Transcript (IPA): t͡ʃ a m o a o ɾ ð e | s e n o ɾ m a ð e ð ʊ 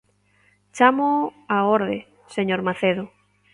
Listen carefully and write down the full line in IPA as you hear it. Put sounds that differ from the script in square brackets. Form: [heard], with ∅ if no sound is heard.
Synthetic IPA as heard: t͡ʃ a m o a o ɾ ð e | s e [ɲ] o ɾ m a [θ] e ð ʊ